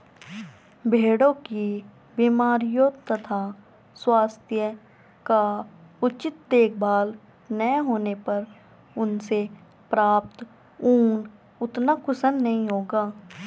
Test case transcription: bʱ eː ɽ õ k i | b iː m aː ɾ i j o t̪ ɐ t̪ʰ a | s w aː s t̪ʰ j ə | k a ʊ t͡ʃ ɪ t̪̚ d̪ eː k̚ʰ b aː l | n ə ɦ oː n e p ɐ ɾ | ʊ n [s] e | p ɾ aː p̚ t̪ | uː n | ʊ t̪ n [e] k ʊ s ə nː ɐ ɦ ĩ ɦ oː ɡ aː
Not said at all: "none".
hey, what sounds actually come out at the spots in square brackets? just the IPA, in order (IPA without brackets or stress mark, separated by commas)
s, a